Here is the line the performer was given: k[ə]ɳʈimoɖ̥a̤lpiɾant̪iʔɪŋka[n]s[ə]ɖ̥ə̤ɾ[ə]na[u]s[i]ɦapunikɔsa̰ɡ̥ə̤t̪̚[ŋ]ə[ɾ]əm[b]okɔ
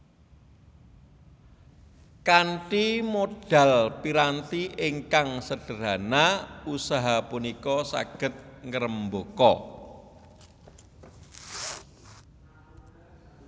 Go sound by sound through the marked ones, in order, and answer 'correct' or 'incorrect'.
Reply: incorrect: a, incorrect: ŋ, correct, incorrect: a, correct, incorrect: a, correct, correct, correct

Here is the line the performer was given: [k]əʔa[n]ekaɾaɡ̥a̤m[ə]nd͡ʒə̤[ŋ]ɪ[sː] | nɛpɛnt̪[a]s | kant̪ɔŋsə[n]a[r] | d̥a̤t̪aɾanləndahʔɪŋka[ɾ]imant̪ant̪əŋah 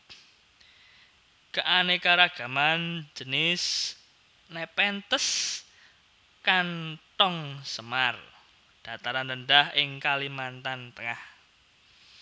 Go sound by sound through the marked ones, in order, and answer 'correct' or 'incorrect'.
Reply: correct, correct, incorrect: a, incorrect: n, incorrect: s, incorrect: ə, incorrect: m, correct, incorrect: l

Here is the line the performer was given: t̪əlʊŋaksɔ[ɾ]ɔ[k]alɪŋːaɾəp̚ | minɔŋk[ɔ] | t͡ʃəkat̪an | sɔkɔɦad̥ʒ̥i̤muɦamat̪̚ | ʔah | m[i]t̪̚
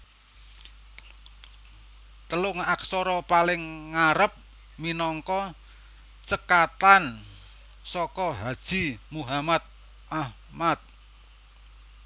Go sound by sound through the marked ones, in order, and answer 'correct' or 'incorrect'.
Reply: correct, incorrect: p, correct, incorrect: a

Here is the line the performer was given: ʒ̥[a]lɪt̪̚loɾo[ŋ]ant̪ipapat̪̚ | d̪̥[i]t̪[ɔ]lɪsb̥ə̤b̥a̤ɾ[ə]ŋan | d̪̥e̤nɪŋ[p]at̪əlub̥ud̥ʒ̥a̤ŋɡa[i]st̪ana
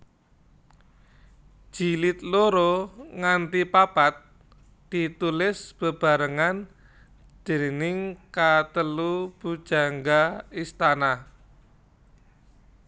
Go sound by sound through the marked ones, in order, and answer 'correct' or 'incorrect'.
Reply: incorrect: i, correct, correct, incorrect: u, correct, incorrect: k, correct

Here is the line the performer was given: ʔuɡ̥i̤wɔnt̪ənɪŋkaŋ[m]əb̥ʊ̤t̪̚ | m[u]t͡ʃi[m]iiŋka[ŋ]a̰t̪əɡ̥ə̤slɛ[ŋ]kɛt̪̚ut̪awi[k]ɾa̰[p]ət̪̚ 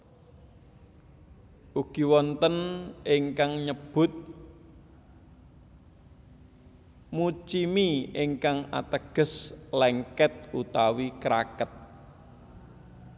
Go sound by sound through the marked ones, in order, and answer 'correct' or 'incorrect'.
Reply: incorrect: ɲ, correct, correct, correct, correct, correct, incorrect: k

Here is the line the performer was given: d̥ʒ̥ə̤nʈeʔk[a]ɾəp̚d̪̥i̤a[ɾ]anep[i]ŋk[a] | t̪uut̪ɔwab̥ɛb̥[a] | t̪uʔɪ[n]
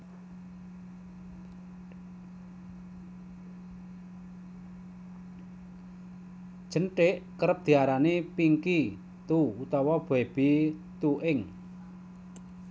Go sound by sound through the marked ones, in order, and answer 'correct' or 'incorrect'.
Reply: incorrect: ə, correct, correct, incorrect: i, incorrect: i, incorrect: ŋ

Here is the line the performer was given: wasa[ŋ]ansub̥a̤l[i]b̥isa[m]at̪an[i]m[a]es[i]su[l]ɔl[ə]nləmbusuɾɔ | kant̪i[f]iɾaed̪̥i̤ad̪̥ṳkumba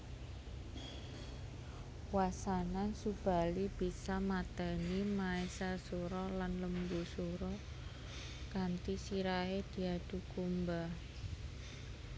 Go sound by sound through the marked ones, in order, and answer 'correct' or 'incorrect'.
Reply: incorrect: n, correct, correct, correct, correct, incorrect: a, incorrect: ɾ, incorrect: a, incorrect: s

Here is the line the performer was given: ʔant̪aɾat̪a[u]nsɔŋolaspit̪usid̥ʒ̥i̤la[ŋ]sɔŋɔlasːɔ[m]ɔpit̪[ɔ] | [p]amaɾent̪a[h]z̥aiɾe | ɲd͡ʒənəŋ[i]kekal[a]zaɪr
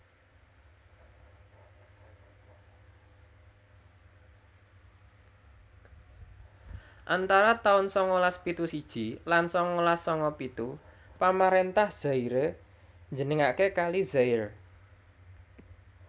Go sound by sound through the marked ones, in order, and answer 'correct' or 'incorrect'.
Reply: incorrect: ʊ, incorrect: n, incorrect: ŋ, incorrect: u, correct, correct, incorrect: a, incorrect: i

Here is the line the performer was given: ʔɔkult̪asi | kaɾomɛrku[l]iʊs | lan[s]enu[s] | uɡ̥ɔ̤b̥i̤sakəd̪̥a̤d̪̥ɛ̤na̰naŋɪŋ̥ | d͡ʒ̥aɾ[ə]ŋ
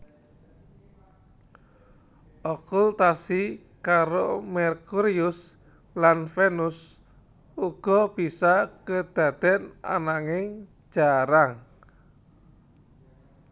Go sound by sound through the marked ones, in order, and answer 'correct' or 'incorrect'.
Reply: incorrect: ɾ, incorrect: f, correct, incorrect: a

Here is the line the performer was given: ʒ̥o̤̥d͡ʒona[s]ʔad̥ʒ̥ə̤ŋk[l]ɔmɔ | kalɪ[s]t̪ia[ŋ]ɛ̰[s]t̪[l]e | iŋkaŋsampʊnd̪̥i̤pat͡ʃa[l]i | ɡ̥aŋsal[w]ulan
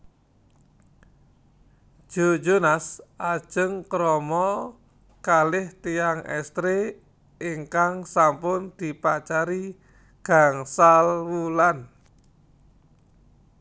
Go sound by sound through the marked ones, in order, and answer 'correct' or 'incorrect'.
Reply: correct, incorrect: ɾ, incorrect: h, correct, correct, incorrect: ɾ, incorrect: ɾ, correct

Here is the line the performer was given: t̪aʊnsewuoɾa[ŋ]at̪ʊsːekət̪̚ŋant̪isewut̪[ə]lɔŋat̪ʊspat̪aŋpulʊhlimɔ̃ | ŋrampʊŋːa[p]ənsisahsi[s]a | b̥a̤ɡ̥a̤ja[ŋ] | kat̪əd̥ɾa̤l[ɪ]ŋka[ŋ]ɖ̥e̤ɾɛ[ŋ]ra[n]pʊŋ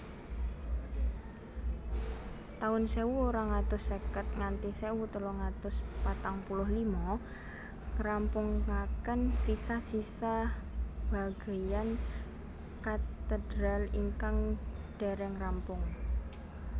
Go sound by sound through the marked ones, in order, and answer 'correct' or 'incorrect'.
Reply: correct, correct, incorrect: k, correct, incorrect: n, incorrect: i, correct, correct, incorrect: m

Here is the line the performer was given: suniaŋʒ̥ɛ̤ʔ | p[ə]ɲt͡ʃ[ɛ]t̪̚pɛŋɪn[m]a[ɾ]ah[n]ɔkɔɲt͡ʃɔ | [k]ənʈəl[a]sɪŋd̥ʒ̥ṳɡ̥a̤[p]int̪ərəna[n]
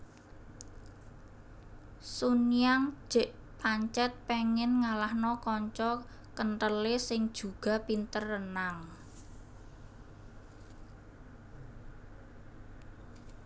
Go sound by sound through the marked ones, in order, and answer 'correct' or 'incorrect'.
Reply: incorrect: a, correct, incorrect: ŋ, incorrect: l, correct, correct, incorrect: e, correct, incorrect: ŋ

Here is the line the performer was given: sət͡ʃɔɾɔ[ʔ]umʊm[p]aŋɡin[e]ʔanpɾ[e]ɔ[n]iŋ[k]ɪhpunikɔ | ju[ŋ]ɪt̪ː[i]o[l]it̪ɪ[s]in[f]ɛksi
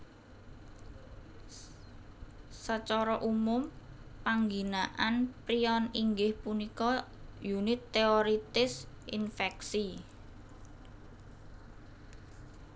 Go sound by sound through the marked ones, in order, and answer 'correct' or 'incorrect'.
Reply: correct, correct, incorrect: a, incorrect: i, correct, incorrect: ɡ, incorrect: n, incorrect: e, incorrect: ɾ, correct, correct

